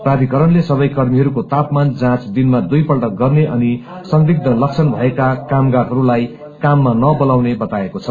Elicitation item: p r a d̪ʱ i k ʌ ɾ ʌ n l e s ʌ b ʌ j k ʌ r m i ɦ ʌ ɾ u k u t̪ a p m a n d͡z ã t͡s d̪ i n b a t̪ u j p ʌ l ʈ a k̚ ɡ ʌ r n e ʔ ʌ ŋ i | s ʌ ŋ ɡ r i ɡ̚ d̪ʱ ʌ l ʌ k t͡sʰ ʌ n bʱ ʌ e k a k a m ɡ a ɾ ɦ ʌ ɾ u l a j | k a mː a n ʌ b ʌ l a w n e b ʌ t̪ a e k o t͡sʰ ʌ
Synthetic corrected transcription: p r a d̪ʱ i k ʌ ɾ ʌ n l e s ʌ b ʌ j k ʌ r m i ɦ ʌ ɾ u k o t̪ a p m a n d͡z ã t͡s d̪ i n m a d̪ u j p ʌ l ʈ ʌ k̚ ɡ ʌ r n e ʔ ʌ n i | s ʌ ŋ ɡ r i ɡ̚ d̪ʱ ʌ l ʌ k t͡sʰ ʌ n bʱ ʌ e k a k a m ɡ a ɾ ɦ ʌ ɾ u l a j | k a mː a n ʌ b ʌ l a w n e b ʌ t̪ a e k o t͡sʰ ʌ